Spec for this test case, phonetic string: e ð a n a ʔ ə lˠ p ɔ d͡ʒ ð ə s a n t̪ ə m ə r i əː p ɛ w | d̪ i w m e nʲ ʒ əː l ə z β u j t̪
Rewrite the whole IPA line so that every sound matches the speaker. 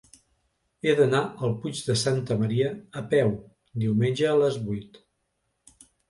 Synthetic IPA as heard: e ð ə n a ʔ ə lˠ p u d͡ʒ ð ə s a n t̪ ə m ə ɾ i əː p ɛ w | d̪ i w m e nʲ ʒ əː l ə z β u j t̪